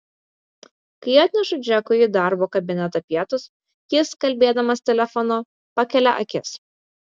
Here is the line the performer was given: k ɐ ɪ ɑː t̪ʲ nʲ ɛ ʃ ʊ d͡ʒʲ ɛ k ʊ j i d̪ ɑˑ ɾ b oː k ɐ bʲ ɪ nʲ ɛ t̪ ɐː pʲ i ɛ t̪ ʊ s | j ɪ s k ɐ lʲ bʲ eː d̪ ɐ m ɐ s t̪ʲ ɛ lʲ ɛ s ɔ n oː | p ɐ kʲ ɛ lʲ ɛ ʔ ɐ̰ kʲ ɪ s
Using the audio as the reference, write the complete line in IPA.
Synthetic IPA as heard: k ɐ ɪ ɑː t̪ʲ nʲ ɛ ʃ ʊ d͡ʒʲ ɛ k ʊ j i d̪ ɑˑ ɾ b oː k ɐ bʲ ɪ nʲ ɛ t̪ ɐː pʲ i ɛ t̪ ʊ s | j ɪ s k ɐ lʲ bʲ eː d̪ ɐ m ɐ s t̪ʲ ɛ lʲ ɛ f ɔ n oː | p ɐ kʲ ɛ lʲ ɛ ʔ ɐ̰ kʲ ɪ s